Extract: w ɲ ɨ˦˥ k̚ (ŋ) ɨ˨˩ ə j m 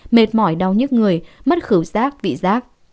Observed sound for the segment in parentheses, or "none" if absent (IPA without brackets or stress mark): ŋ